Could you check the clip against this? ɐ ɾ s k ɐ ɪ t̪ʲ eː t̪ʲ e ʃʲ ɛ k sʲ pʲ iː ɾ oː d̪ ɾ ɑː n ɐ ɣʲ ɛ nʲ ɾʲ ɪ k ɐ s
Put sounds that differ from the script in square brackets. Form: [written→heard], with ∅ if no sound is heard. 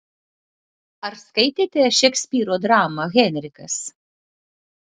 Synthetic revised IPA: ɐ ɾ s k ɐ ɪ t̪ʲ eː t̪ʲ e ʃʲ ɛ k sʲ pʲ iː ɾ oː d̪ ɾ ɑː [n→m] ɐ ɣʲ ɛ nʲ ɾʲ ɪ k ɐ s